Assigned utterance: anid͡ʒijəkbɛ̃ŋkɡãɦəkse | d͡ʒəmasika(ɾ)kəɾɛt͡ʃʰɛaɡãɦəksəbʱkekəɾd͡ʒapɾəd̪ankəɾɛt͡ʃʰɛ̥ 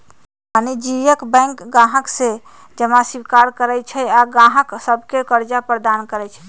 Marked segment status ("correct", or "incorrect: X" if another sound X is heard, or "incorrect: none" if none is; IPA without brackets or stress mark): correct